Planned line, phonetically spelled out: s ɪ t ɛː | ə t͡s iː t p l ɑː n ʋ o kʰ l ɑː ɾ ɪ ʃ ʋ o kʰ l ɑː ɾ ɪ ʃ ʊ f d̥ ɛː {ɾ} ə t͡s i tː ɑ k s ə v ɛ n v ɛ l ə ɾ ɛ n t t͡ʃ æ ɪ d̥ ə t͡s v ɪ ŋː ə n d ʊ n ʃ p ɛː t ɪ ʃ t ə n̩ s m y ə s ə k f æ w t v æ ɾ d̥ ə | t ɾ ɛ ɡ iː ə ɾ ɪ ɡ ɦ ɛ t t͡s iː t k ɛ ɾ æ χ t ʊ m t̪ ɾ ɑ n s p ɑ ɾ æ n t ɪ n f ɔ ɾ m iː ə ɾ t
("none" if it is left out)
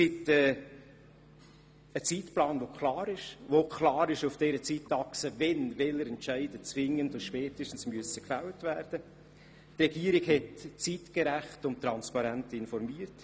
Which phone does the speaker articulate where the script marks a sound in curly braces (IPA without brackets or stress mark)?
ɾ